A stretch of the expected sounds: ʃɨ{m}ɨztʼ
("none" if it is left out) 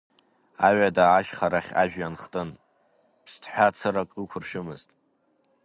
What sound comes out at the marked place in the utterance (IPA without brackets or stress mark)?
m